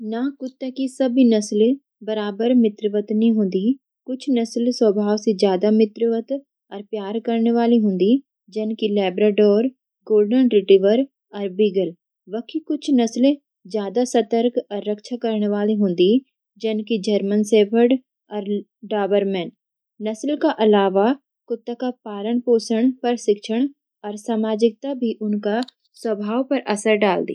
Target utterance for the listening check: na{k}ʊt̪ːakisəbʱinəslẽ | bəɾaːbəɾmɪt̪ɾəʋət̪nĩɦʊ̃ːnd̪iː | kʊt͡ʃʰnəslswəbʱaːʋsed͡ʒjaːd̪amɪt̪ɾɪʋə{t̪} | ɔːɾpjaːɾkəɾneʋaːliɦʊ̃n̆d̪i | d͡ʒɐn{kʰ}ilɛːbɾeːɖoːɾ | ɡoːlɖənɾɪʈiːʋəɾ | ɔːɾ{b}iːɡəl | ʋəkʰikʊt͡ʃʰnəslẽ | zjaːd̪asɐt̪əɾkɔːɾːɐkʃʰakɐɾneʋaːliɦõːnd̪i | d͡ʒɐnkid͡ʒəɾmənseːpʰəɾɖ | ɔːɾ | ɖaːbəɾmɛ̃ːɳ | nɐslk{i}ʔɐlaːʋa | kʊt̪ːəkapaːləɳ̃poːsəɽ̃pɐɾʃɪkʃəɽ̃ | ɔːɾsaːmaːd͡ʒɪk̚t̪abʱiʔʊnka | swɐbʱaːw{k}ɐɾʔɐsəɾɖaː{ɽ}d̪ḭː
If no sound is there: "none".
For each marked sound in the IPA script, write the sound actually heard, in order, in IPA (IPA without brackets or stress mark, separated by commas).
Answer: k, t̪, k, b, a, p, l